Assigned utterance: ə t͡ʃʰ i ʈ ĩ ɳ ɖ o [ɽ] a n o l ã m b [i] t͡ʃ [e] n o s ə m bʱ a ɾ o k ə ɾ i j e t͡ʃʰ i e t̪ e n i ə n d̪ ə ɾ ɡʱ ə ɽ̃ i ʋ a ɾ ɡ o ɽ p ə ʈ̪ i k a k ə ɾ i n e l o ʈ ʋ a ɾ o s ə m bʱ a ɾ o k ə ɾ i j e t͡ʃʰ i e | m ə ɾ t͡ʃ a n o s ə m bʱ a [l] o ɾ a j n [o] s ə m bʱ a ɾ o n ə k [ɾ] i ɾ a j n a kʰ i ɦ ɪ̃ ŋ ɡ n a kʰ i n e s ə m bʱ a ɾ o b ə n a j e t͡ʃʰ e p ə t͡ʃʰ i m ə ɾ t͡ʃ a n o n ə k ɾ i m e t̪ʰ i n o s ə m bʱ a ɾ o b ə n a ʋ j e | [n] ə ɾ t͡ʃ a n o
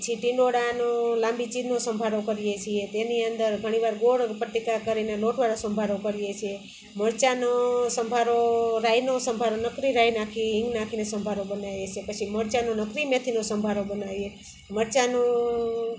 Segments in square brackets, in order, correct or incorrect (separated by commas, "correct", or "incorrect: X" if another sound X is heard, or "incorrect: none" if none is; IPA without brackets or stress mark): correct, correct, incorrect: i, incorrect: ɾ, correct, correct, incorrect: m